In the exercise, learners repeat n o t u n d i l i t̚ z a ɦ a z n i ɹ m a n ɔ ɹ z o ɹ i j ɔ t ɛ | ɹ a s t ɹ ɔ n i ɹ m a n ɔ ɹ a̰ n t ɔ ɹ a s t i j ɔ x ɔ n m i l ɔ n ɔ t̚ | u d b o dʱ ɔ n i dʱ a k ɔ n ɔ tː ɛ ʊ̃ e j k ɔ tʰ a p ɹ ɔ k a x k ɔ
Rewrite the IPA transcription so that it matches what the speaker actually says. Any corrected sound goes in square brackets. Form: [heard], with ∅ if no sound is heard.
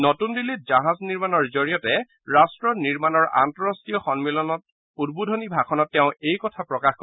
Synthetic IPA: n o t u n d i l i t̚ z a ɦ a z n i ɹ m a n ɔ ɹ z o ɹ i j ɔ t ɛ | ɹ a s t ɹ ɔ n i ɹ m a n ɔ ɹ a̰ n t ɔ ɹ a s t i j ɔ x ɔ n m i l ɔ n ɔ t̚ | u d b [u] dʱ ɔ n i [bʱ] a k ɔ n ɔ tː ɛ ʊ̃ e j k ɔ tʰ a p ɹ ɔ k a x k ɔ